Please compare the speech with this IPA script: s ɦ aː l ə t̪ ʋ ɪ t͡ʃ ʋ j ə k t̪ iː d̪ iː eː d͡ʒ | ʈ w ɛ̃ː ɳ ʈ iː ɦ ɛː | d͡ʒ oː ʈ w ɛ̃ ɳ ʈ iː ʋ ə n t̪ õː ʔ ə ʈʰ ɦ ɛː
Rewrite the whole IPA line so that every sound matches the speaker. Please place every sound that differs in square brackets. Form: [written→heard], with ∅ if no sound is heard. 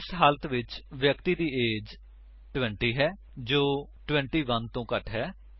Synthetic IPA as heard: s ɦ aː l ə t̪ ʋ ɪ t͡ʃ ʋ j ə k t̪ iː d̪ iː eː d͡ʒ | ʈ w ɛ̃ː ɳ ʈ iː ɦ ɛː | d͡ʒ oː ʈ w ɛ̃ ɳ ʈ iː ʋ ə n t̪ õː [ʔ→k] ə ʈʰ ɦ ɛː